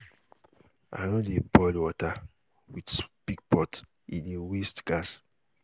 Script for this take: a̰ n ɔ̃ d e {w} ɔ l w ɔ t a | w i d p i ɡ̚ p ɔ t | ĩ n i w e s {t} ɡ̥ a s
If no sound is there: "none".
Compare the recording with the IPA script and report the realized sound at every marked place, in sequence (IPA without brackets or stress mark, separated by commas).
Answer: b, t